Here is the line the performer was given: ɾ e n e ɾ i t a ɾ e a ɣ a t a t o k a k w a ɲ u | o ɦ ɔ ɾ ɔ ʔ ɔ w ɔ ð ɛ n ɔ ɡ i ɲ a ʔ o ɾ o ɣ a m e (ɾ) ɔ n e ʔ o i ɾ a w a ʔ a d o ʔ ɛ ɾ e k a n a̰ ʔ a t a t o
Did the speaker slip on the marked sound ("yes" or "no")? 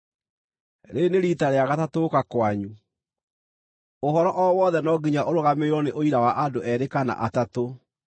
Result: no